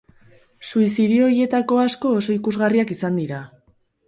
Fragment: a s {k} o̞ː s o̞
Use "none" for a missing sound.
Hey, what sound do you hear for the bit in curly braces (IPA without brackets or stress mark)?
k